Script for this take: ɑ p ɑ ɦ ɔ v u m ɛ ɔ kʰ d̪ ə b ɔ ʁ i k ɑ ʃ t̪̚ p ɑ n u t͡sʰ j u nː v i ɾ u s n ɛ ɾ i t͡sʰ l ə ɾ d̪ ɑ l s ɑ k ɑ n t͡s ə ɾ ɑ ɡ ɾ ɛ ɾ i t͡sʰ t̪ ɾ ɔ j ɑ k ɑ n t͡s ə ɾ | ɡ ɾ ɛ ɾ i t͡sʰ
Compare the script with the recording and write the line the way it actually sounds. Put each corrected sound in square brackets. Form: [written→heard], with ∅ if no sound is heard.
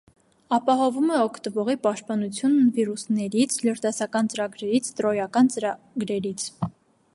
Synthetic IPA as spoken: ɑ p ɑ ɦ ɔ v u m ɛ ɔ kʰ [d̪→t̪] ə [b→v] ɔ ʁ i [k→p] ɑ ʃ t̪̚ p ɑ n u t͡sʰ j u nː v i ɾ u s n ɛ ɾ i t͡sʰ l ə ɾ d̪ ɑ [l→∅] s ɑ k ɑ n t͡s ə ɾ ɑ ɡ ɾ ɛ ɾ i t͡sʰ t̪ ɾ ɔ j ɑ k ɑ n t͡s ə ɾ | ɡ ɾ ɛ ɾ i t͡sʰ